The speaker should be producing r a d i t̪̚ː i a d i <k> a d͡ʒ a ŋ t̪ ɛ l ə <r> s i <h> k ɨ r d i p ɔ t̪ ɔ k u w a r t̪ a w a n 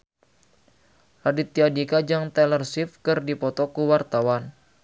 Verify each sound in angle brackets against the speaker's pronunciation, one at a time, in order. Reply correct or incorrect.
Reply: correct, correct, incorrect: f

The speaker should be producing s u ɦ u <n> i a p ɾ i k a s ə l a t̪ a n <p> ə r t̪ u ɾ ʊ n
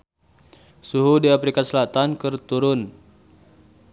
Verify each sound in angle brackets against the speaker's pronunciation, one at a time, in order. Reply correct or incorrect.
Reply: incorrect: d, incorrect: k

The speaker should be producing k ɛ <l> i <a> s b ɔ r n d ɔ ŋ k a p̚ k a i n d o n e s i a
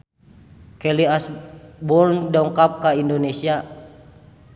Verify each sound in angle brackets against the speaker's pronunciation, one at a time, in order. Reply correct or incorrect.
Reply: correct, correct

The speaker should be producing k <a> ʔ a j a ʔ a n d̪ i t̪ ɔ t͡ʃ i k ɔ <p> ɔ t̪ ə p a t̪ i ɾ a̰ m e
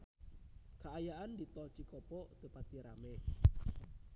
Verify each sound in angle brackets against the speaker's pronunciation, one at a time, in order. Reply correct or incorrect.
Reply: correct, correct

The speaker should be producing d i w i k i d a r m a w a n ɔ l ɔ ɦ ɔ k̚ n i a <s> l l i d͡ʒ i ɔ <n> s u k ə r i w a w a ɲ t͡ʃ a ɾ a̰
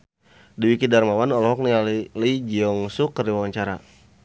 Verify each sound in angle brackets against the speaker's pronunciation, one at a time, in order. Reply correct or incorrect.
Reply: incorrect: none, incorrect: ŋ

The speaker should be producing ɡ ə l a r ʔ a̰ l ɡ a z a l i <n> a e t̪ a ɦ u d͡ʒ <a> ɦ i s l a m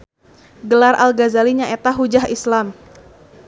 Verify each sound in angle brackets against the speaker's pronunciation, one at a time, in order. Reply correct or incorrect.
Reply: incorrect: ɲ, correct

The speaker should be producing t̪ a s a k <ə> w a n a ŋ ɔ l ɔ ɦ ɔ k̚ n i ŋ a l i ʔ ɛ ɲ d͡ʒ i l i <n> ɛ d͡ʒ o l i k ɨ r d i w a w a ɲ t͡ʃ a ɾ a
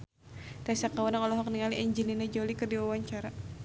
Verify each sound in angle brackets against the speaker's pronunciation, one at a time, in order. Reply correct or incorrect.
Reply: incorrect: a, correct

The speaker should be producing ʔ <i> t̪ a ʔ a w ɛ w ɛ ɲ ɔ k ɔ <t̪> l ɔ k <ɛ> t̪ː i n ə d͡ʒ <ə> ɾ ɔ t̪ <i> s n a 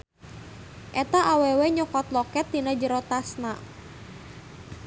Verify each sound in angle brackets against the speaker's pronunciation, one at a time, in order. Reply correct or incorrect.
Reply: incorrect: ɛ, correct, correct, correct, incorrect: a

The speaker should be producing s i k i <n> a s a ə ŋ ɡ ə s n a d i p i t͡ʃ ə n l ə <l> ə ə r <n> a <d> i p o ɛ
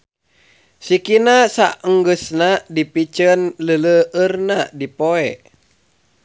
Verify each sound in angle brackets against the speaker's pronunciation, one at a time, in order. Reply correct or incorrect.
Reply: correct, correct, correct, correct

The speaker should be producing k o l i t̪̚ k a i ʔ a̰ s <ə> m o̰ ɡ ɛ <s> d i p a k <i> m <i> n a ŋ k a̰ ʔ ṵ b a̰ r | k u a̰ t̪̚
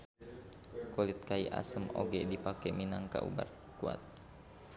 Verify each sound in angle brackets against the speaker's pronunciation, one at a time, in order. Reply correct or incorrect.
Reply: correct, incorrect: none, incorrect: ɛ, correct

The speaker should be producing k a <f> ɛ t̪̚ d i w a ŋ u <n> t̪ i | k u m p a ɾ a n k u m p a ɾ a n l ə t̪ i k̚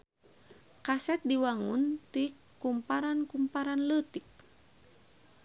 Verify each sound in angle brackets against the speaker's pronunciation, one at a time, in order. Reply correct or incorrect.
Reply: incorrect: s, correct

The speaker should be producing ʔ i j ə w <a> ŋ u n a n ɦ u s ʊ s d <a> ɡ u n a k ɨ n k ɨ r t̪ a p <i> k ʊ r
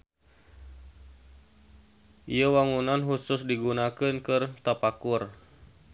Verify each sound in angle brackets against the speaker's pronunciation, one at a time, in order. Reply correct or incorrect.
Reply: correct, incorrect: i, incorrect: a

